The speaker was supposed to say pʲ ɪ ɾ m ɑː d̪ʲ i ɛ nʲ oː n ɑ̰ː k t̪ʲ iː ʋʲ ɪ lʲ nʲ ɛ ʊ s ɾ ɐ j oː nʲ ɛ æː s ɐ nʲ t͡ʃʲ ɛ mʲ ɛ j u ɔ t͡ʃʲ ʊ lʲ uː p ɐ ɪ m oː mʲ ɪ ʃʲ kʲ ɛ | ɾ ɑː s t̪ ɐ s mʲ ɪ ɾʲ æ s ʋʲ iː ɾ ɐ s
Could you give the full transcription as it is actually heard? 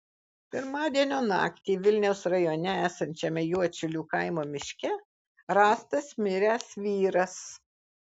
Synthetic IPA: pʲ ɪ ɾ m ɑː d̪ʲ i ɛ nʲ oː n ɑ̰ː k t̪ʲ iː ʋʲ ɪ lʲ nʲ ɛ ʊ s ɾ ɐ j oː nʲ ɛ æː s ɐ nʲ t͡ʃʲ ɛ mʲ ɛ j u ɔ t͡ʃʲ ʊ lʲ uː k ɐ ɪ m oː mʲ ɪ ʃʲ kʲ ɛ | ɾ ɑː s t̪ ɐ s mʲ ɪ ɾʲ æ s ʋʲ iː ɾ ɐ s